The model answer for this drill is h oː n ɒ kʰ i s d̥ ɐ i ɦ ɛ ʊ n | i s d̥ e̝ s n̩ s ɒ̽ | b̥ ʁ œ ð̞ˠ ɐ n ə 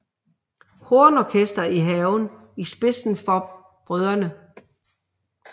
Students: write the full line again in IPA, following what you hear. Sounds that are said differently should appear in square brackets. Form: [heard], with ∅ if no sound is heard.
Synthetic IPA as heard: h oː n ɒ kʰ [e] s d̥ ɐ i ɦ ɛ ʊ n | i s [b̥] e̝ s n̩ [f] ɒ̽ | b̥ ʁ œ ð̞ˠ ɐ n ə

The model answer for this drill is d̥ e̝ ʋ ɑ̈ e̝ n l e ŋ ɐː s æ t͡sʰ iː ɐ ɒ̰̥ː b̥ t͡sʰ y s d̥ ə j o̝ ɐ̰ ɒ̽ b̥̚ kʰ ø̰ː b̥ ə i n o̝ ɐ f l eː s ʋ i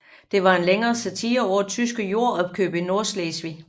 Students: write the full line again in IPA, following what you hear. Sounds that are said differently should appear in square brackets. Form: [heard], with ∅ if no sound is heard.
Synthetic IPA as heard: d̥ e̝ ʋ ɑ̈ e̝ n l e ŋ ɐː s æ t͡sʰ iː ɐ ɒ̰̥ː [∅] t͡sʰ y s [ɡ̥] ə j o̝ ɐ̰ ɒ̽ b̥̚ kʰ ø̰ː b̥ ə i n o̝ ɐ [s] l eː s ʋ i

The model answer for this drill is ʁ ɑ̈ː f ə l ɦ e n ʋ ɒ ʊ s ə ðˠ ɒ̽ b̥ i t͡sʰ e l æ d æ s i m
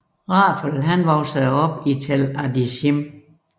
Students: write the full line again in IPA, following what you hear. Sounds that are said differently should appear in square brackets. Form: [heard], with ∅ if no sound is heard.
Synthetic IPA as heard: ʁ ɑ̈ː f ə l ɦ [æ] n ʋ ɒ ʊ s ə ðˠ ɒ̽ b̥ i t͡sʰ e l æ d [i] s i m

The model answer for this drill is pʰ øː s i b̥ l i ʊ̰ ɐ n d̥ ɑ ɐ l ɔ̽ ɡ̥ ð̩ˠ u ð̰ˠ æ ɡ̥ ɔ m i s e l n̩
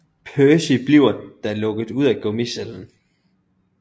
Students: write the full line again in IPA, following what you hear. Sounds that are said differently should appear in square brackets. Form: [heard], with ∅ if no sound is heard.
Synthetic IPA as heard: pʰ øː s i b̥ l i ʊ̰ ɐ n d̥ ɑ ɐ l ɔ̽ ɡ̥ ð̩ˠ u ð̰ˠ æ ɡ̥ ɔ m i s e l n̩

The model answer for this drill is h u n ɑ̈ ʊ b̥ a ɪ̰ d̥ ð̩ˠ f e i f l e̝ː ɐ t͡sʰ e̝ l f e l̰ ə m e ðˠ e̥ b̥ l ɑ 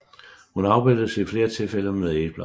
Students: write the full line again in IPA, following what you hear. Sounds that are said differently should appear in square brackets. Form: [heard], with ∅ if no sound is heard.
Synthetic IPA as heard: h u n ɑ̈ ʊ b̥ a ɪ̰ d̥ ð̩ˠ [s] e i f l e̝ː ɐ t͡sʰ e̝ l f e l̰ ə m e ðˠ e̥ b̥ l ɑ

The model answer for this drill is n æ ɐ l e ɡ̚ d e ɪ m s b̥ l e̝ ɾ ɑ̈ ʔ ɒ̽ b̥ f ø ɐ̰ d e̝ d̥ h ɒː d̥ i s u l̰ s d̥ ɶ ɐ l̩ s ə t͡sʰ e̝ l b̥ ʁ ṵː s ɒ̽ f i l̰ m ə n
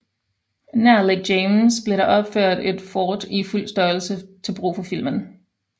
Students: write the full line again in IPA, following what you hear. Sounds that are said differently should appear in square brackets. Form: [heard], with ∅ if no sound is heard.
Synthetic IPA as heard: n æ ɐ l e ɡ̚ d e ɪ m s b̥ l e̝ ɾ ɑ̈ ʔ ɒ̽ b̥ f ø ɐ̰ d e̝ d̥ [f] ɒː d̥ i [f] u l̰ s d̥ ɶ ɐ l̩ s ə t͡sʰ e̝ l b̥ ʁ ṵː [f] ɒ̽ f i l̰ m ə n

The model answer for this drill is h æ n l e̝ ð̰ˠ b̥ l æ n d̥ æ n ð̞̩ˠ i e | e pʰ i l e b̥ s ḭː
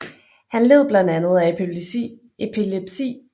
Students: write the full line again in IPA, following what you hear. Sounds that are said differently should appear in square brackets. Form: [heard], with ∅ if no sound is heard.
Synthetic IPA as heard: h æ n l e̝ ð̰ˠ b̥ l æ n d̥ æ n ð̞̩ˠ [æ] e | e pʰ i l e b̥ s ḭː

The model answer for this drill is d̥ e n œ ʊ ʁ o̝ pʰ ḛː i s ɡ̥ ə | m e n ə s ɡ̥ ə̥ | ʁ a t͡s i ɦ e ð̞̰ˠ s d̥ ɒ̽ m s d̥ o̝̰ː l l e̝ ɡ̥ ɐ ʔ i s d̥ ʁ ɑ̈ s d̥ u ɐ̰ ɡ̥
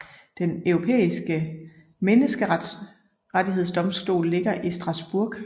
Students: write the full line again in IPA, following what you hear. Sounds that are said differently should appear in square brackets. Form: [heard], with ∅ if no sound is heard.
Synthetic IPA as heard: d̥ e n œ ʊ ʁ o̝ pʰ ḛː i s ɡ̥ ə | m e n ə s ɡ̥ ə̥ | ʁ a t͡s i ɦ e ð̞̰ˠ s d̥ ɒ̽ m s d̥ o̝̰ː l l e̝ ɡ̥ ɐ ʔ i s d̥ ʁ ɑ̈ s [b̥] u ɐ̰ ɡ̥

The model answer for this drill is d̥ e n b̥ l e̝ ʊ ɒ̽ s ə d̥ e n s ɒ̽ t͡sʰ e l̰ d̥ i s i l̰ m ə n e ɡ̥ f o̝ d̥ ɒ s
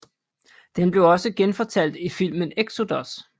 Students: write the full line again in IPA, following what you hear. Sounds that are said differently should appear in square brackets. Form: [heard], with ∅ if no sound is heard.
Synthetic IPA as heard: d̥ e n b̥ l e̝ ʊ ɒ̽ s ə [ɡ̥] e n [f] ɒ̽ t͡sʰ [æ] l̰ d̥ i [f] i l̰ m ə n e ɡ̥ [s] o̝ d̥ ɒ s

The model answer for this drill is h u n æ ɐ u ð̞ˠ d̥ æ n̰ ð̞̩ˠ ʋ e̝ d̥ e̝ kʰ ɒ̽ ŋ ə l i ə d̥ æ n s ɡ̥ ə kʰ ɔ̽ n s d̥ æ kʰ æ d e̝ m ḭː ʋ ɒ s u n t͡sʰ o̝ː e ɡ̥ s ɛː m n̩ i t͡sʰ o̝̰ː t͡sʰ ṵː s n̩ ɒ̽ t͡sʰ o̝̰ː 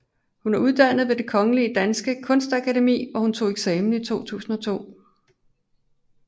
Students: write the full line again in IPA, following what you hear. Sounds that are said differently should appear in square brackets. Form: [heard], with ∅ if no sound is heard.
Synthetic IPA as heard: h u n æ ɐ u ð̞ˠ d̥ æ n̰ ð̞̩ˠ ʋ e̝ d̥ e̝ kʰ ɒ̽ ŋ ə l i ə d̥ æ n s ɡ̥ ə kʰ ɔ̽ n s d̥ æ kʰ æ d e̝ m ḭː ʋ ɒ [h] u n t͡sʰ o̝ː e ɡ̥ s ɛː m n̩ i t͡sʰ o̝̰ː t͡sʰ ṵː s n̩ ɒ̽ t͡sʰ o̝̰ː

